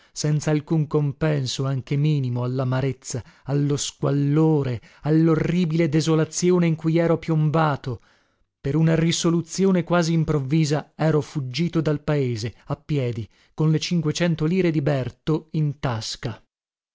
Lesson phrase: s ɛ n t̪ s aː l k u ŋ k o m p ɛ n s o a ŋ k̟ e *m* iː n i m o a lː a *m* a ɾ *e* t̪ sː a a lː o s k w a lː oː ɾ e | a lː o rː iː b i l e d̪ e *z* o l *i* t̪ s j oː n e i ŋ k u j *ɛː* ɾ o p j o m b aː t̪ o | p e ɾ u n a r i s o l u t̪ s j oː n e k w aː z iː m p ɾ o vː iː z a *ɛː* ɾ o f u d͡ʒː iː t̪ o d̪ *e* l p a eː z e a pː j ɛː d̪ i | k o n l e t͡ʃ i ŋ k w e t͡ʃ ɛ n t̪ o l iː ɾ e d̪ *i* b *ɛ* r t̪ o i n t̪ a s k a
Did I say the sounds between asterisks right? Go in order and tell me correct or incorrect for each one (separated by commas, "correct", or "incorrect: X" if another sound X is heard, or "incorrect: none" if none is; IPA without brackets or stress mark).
correct, correct, correct, correct, incorrect: a, correct, correct, incorrect: a, correct, correct